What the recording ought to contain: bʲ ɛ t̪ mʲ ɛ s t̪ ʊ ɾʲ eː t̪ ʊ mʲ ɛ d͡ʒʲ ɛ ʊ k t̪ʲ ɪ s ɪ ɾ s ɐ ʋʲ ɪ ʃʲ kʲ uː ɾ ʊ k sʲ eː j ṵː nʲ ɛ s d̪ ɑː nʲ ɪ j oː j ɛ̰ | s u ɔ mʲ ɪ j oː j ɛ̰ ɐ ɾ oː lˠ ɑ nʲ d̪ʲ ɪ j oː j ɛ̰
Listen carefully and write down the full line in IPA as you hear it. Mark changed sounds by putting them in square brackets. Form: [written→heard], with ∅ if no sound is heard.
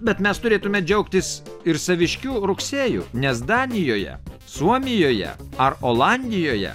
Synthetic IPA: bʲ ɛ t̪ mʲ ɛ s t̪ ʊ ɾʲ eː t̪ ʊ mʲ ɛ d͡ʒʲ ɛ ʊ k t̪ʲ ɪ s ɪ ɾ s ɐ ʋʲ ɪ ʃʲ kʲ uː ɾ ʊ k sʲ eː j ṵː nʲ ɛ s d̪ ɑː nʲ ɪ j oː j ɛ̰ | s u ɔ mʲ ɪ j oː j ɛ̰ ɐ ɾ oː lˠ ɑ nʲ d̪ʲ ɪ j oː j ɛ̰